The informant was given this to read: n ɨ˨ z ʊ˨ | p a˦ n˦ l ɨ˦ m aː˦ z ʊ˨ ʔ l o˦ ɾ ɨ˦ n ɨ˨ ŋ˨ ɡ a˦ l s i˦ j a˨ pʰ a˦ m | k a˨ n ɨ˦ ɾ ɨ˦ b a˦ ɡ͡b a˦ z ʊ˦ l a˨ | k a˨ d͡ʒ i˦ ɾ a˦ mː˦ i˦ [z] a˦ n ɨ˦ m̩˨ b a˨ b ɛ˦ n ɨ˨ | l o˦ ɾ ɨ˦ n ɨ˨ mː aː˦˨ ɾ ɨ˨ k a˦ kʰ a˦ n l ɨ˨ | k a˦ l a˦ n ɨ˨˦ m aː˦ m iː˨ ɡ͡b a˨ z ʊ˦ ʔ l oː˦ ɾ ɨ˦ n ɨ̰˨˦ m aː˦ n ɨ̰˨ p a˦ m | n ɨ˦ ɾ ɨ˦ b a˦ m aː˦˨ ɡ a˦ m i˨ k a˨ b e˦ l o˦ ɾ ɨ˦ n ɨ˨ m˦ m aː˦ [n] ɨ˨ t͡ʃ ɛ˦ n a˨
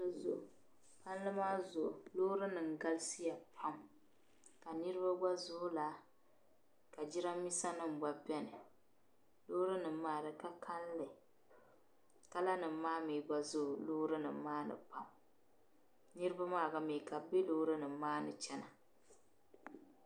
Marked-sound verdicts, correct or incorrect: incorrect, correct

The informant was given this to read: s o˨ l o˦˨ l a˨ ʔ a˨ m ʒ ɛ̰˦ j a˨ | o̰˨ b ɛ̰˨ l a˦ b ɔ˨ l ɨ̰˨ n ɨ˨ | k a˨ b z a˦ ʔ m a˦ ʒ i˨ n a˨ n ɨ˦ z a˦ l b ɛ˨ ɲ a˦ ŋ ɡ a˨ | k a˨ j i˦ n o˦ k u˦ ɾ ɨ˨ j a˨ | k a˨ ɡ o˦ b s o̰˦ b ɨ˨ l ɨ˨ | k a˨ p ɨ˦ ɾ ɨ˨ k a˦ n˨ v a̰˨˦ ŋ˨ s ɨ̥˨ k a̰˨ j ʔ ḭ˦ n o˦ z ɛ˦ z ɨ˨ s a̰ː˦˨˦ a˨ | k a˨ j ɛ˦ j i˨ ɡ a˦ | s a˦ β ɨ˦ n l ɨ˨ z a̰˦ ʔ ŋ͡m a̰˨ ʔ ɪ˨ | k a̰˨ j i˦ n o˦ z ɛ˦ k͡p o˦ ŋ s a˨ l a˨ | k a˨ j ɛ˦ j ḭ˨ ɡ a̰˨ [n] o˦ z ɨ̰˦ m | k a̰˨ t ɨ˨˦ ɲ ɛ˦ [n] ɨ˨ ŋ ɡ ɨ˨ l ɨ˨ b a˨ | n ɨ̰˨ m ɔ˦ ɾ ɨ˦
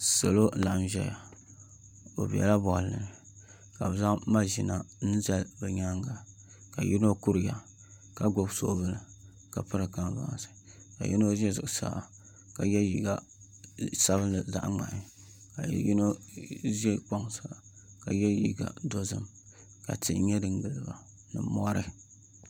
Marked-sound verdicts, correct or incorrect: incorrect, incorrect

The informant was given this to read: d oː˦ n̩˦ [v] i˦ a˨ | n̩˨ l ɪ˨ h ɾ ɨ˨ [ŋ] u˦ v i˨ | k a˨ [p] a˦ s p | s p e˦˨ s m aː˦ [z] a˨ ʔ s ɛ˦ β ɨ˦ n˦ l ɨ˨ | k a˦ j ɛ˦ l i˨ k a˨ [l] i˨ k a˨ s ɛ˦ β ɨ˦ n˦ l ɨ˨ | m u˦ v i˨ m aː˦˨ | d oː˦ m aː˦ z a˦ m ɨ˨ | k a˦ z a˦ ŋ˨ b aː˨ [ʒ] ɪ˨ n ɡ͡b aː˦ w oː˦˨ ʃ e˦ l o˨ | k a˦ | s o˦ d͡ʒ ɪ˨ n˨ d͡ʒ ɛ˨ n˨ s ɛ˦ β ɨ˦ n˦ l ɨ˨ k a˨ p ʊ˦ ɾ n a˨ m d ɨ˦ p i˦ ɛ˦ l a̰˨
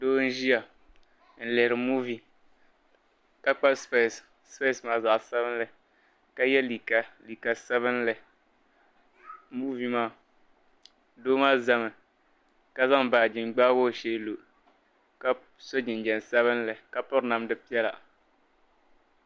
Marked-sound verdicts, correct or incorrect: incorrect, incorrect, incorrect, correct, correct, incorrect

